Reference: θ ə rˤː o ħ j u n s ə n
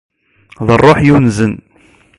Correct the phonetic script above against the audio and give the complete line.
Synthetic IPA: ð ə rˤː o ħ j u n z ə n

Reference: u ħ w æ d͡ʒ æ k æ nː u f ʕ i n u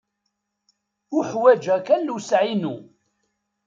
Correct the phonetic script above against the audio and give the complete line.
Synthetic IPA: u ħ w æ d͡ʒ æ k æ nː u s ʕ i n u

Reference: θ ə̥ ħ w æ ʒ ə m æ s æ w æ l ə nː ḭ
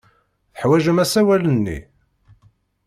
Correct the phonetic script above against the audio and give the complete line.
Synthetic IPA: θ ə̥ ħ w æ ʒ ə m æ s æ w æ l ə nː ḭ

